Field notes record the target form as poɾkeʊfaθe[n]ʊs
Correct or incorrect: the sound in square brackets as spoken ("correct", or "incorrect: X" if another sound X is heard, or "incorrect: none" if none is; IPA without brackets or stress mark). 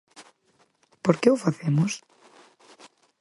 incorrect: m